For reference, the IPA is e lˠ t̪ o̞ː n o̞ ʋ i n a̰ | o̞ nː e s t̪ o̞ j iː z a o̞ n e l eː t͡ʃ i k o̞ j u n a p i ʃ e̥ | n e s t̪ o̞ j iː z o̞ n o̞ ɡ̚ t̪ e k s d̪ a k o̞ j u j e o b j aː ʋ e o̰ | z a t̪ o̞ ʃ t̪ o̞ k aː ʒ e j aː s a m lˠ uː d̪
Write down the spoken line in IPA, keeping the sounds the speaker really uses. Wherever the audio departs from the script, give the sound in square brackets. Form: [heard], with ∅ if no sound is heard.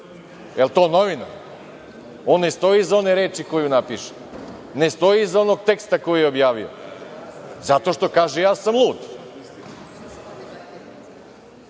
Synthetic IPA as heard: e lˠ t̪ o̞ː n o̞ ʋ i n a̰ | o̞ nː e s t̪ o̞ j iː z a o̞ n e [ɾ] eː t͡ʃ i k o̞ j u n a p i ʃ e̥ | n e s t̪ o̞ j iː z o̞ n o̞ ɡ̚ t̪ e k s [t̪] a k o̞ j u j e o b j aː ʋ [i] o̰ | z a t̪ o̞ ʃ t̪ o̞ k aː ʒ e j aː s a m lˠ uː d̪